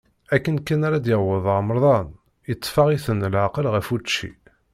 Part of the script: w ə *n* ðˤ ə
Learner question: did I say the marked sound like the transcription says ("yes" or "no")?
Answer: no